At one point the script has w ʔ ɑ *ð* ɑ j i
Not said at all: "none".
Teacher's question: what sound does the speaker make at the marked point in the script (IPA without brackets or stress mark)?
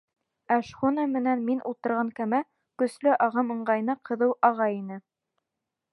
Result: ʁ